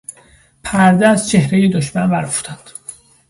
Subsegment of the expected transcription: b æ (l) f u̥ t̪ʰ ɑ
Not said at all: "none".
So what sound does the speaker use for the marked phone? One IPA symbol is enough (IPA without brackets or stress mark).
ɾ